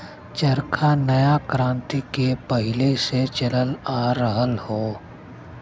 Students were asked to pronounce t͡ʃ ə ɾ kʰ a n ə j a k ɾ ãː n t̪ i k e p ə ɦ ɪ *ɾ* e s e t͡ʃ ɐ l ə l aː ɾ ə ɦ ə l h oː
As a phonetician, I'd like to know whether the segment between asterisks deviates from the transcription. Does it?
yes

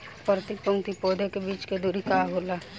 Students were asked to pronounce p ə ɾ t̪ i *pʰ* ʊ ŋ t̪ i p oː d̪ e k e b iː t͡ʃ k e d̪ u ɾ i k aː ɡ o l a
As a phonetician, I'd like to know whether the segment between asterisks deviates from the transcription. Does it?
yes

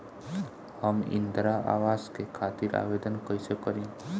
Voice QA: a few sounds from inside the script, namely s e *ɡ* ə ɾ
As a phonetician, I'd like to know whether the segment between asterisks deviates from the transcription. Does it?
yes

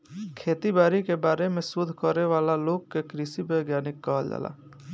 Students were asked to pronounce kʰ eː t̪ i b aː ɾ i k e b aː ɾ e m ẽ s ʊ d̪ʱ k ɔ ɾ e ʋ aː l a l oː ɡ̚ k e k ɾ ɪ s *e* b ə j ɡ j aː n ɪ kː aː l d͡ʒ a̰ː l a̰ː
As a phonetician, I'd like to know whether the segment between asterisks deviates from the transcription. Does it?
yes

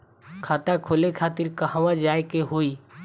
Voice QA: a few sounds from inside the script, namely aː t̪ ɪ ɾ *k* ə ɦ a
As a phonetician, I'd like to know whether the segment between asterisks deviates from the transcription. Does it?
no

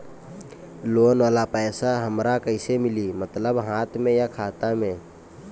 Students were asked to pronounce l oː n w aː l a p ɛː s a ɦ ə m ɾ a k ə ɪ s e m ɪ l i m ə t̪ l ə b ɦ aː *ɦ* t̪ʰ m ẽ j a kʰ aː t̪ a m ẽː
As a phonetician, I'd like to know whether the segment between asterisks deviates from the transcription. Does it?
yes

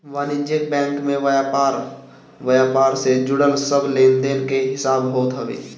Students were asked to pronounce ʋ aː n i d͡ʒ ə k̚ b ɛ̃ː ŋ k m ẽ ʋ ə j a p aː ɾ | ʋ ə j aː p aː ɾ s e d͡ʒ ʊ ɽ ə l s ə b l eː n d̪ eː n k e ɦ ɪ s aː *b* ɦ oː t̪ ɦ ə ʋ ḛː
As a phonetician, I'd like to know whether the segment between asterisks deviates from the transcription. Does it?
no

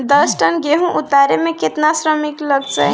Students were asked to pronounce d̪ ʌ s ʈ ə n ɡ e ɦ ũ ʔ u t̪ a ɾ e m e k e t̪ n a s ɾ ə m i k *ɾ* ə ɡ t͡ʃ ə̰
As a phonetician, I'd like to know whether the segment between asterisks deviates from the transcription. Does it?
yes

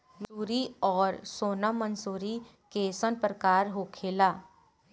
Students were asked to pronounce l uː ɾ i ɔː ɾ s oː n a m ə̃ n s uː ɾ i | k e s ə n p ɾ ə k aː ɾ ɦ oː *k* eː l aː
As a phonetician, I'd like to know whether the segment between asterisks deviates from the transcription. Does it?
yes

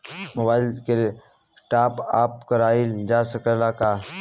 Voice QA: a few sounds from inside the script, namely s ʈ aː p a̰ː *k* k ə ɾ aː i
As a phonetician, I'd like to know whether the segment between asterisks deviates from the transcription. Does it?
yes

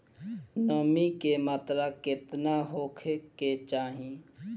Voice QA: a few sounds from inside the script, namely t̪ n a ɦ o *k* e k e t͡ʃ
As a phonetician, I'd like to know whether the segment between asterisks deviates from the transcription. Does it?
yes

